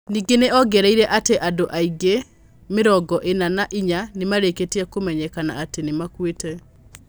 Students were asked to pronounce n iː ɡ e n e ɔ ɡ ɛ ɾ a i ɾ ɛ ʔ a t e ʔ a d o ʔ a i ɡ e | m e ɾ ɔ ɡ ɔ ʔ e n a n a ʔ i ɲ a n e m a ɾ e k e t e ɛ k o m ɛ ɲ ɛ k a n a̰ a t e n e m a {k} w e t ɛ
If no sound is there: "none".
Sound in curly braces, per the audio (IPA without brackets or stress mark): k